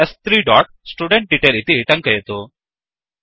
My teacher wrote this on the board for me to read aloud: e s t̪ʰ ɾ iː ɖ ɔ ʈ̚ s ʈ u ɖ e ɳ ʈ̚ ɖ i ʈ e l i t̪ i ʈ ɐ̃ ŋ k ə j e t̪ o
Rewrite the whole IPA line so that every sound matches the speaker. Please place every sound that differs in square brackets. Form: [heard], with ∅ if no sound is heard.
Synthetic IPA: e s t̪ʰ ɾ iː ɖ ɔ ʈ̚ s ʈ u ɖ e ɳ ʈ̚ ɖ i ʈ e l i t̪ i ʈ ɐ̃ ŋ k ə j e t̪ o

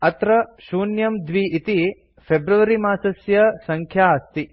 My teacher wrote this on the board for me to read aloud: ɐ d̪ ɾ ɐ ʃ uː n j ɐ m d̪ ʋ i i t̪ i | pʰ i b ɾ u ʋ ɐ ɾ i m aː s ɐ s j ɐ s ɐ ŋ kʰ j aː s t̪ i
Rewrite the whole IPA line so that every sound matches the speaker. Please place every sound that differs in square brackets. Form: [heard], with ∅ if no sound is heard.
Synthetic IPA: ɐ [t̪] ɾ ɐ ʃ uː n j ɐ m d̪ ʋ i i t̪ i | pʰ [e] b ɾ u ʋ ɐ ɾ i m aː s ɐ s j ɐ s ɐ ŋ kʰ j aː s t̪ i

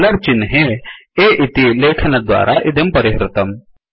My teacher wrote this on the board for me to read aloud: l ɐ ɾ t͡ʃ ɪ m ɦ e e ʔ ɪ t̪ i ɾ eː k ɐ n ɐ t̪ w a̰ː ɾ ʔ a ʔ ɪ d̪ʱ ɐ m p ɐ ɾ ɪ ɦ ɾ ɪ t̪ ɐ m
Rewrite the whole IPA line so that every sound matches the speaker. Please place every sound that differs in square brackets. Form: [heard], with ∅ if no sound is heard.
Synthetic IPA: l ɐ ɾ t͡ʃ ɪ [n] ɦ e e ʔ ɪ t̪ i [l] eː [kʰ] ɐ n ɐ [d̪] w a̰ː ɾ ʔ a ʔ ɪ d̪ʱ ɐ m p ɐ ɾ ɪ ɦ ɾ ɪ t̪ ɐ m

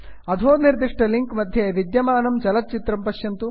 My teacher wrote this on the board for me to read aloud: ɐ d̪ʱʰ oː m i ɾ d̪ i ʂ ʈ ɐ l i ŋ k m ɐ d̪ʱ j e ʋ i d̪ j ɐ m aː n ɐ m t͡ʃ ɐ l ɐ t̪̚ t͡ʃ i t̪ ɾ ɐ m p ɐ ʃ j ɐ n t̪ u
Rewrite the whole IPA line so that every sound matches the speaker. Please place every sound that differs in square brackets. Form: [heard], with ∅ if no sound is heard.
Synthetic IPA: ɐ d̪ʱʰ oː [n] i ɾ d̪ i ʂ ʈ ɐ l i ŋ k m ɐ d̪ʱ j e ʋ i d̪ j ɐ m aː n ɐ m t͡ʃ ɐ l ɐ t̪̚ t͡ʃ i t̪ ɾ ɐ m p ɐ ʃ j ɐ n t̪ u

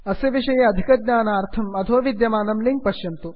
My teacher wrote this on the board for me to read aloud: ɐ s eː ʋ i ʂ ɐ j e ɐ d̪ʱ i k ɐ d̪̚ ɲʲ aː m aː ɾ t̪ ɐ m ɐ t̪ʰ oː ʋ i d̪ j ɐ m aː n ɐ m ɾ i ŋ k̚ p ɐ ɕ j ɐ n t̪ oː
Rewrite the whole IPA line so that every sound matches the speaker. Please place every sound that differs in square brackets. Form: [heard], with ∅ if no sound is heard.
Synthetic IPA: ɐ s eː ʋ i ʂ ɐ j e ɐ d̪ʱ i k ɐ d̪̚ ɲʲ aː [n] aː ɾ [t̪ʰ] ɐ m ɐ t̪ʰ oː ʋ i d̪ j ɐ m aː n ɐ m [l] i ŋ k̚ p ɐ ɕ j ɐ n t̪ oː

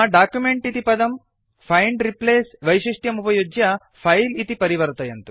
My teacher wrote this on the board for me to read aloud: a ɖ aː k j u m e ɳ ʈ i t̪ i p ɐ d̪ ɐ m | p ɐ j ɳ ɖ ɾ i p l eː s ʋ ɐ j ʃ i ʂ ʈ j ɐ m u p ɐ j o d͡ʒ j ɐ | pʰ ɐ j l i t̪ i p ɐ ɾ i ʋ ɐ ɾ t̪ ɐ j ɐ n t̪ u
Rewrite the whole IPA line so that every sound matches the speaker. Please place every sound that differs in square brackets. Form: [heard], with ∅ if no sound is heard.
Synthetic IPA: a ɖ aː k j u m e ɳ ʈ i t̪ i p ɐ d̪ ɐ m | [pʰ] ɐ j ɳ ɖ ɾ i p l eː s ʋ ɐ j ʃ i ʂ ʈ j ɐ m u p ɐ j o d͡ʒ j ɐ | pʰ ɐ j l i t̪ i p ɐ ɾ i ʋ ɐ ɾ t̪ ɐ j ɐ n t̪ u

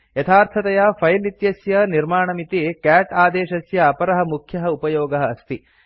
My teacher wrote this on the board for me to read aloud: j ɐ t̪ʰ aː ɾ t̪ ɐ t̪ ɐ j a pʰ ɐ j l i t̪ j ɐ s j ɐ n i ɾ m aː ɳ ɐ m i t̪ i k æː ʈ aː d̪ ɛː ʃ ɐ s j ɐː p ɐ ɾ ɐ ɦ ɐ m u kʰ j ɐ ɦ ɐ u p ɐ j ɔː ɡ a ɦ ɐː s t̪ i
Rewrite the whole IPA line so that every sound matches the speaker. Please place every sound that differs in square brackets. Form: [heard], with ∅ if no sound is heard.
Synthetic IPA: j ɐ t̪ʰ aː ɾ [t̪ʰ] ɐ t̪ ɐ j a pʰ ɐ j l i t̪ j ɐ s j ɐ n i ɾ m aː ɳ ɐ m i t̪ i k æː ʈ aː d̪ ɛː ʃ ɐ s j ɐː p ɐ ɾ ɐ ɦ ɐ m u kʰ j ɐ ɦ ɐ u p ɐ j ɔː ɡ [ɐ] ɦ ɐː s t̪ i

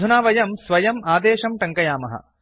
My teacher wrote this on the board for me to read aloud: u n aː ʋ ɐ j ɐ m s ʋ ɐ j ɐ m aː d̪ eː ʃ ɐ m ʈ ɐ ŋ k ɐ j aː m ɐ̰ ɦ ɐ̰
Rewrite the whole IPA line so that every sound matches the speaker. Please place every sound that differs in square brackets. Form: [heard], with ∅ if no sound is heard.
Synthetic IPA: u n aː ʋ ɐ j ɐ m s ʋ ɐ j ɐ m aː d̪ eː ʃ ɐ m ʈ ɐ ŋ k ɐ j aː m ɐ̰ ɦ ɐ̰

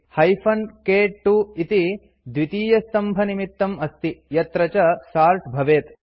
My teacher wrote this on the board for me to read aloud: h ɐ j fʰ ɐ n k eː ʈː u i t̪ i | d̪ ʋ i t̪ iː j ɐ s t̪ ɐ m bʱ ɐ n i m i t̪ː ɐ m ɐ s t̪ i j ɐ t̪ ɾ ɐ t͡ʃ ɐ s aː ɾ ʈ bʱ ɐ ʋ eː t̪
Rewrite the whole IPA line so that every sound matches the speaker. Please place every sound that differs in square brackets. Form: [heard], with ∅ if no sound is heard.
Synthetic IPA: h ɐ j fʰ ɐ n k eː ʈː u i t̪ i | d̪ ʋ i t̪ iː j ɐ s t̪ ɐ m bʱ ɐ n i m i t̪ː ɐ m ɐ s t̪ i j ɐ t̪ ɾ ɐ t͡ʃ ɐ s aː ɾ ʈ bʱ ɐ ʋ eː t̪

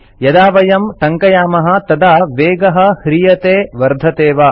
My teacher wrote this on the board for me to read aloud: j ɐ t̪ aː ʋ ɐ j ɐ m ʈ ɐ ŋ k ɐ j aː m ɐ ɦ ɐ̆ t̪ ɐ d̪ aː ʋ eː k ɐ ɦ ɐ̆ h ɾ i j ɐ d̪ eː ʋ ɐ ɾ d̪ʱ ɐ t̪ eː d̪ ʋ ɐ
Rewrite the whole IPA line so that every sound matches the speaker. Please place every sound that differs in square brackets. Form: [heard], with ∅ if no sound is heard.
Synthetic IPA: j ɐ [d̪] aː ʋ ɐ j ɐ m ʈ ɐ ŋ k ɐ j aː m ɐ ɦ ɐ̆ t̪ ɐ d̪ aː ʋ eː [ɡ] ɐ ɦ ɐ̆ h ɾ i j ɐ [t̪] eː ʋ ɐ ɾ d̪ʱ ɐ t̪ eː [∅] ʋ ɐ

